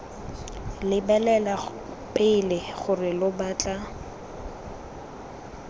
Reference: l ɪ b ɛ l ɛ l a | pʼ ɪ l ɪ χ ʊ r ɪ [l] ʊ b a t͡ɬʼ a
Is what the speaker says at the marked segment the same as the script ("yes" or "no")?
yes